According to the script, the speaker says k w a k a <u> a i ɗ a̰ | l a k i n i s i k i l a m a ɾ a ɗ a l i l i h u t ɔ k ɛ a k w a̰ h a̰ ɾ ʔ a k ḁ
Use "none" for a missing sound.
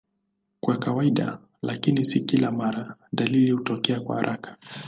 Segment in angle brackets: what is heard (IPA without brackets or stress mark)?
w